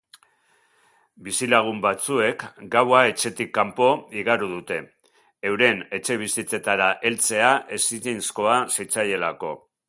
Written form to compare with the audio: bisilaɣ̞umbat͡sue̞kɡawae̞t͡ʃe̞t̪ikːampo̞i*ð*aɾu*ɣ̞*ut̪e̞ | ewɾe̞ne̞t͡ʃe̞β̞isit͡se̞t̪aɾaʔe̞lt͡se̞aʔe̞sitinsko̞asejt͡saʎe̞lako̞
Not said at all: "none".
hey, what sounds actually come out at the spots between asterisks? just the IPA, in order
ɣ, ð̞

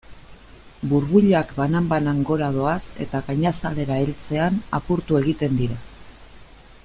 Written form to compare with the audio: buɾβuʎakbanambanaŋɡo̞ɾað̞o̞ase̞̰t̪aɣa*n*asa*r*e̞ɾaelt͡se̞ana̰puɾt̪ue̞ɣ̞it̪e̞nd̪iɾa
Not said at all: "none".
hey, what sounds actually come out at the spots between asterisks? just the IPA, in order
ɲ, l

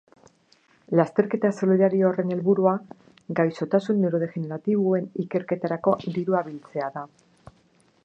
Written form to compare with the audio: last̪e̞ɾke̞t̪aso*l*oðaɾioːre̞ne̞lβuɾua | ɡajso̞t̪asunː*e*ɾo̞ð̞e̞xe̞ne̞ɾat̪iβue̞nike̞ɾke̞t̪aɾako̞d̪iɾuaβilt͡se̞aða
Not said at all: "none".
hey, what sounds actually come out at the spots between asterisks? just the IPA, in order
l, e

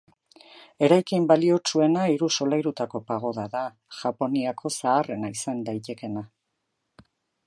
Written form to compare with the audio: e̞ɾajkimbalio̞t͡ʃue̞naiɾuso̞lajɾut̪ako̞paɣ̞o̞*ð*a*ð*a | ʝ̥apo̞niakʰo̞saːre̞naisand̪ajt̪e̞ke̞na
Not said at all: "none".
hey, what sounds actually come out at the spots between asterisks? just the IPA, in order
ð, ð

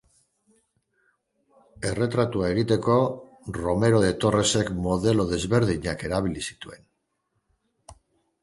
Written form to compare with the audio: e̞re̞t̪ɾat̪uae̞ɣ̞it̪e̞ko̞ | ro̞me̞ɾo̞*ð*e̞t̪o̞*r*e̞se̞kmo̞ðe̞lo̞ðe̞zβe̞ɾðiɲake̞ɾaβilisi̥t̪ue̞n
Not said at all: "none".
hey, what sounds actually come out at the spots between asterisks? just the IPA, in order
ð, r

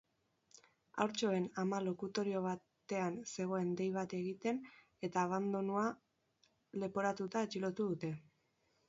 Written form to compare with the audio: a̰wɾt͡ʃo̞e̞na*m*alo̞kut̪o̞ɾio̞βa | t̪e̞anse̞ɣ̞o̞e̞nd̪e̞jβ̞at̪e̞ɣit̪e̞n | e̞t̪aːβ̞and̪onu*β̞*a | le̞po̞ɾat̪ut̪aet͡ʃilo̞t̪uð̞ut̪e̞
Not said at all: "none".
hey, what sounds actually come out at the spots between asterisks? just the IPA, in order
m, none

